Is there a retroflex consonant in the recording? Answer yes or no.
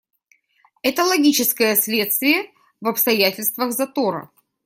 no